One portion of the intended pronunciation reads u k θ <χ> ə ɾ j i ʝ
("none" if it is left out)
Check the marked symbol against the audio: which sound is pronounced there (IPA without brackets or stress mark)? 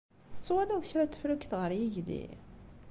ʁ